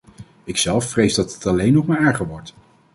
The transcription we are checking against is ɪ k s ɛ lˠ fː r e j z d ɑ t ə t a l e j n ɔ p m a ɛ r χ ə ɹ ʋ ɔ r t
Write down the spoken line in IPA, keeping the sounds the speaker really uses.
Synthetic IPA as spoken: ɪ k s ɛ lˠ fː r e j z d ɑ t ə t ɑ l e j n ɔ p m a ɛ ɹ χ ə ɹ ʋ ɔ ɹ t